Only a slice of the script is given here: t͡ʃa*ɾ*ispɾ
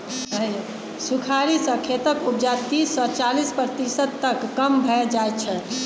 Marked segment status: incorrect: l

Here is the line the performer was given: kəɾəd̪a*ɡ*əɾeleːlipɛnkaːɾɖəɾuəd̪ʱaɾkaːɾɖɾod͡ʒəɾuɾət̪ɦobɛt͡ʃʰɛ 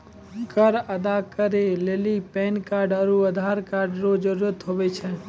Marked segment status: incorrect: k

